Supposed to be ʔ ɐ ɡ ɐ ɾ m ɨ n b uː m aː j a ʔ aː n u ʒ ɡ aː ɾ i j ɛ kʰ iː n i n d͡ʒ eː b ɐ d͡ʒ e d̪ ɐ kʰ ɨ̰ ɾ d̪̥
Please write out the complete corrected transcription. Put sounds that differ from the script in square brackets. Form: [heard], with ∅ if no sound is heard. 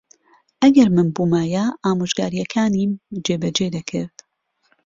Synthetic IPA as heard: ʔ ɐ ɡ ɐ ɾ m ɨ n b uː m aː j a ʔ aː [m] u ʒ ɡ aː ɾ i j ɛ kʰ [aː] n i [m] d͡ʒ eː b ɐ d͡ʒ e d̪ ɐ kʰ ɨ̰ ɾ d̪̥